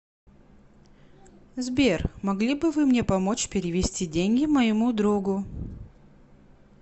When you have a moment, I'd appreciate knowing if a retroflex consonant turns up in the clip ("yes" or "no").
no